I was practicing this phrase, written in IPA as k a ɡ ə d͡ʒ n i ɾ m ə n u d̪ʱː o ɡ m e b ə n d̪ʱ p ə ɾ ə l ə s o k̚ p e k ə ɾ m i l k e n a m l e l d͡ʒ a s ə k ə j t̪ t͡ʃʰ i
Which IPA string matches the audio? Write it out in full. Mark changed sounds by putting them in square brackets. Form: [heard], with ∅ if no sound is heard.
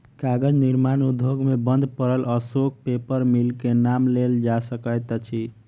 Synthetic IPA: k a ɡ ə d͡ʒ n i ɾ m [a] n u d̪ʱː o ɡ m e b ə n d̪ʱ p ə ɾ ə l ə s o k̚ p e [p] ə ɾ m i l k e n a m l e l d͡ʒ a s ə k ə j t̪ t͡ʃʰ i